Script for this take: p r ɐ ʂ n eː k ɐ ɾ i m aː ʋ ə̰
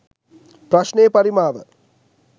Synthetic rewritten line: p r ɐ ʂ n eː p ɐ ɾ i m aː ʋ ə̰